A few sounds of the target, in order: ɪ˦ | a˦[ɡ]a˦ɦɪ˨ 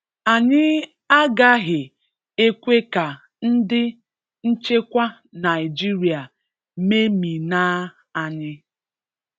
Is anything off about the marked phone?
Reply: no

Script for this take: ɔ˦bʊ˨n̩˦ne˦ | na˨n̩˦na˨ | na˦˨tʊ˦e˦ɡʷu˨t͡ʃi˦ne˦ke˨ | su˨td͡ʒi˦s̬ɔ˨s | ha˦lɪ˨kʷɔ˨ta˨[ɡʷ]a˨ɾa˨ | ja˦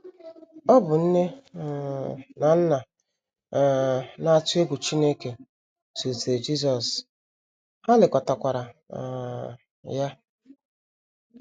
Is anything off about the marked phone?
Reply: yes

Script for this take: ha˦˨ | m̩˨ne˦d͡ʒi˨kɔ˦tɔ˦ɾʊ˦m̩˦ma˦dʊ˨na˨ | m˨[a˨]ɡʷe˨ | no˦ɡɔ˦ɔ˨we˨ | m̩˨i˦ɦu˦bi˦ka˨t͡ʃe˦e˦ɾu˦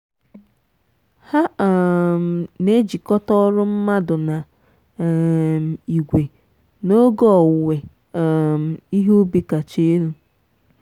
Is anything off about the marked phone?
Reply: yes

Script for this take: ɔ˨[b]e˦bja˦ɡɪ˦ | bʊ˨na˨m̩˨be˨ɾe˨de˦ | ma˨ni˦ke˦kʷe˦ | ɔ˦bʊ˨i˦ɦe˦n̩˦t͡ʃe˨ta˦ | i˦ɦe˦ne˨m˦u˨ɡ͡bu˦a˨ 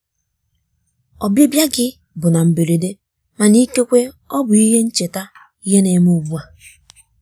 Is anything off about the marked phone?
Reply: no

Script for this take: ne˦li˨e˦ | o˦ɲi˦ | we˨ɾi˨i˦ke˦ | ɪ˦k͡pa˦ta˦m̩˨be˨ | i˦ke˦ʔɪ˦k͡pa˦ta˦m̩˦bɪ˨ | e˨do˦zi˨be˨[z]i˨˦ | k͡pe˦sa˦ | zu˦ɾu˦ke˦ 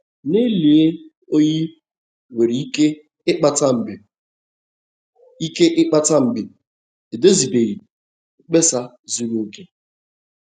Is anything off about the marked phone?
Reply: yes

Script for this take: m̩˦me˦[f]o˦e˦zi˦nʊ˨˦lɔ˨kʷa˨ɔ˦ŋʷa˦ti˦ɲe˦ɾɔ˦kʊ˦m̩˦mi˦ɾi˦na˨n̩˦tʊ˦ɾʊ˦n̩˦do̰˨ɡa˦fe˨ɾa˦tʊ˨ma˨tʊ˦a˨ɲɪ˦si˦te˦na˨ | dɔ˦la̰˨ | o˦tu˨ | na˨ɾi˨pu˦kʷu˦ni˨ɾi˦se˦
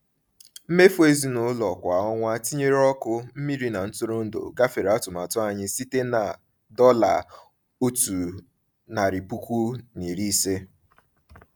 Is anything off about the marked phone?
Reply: no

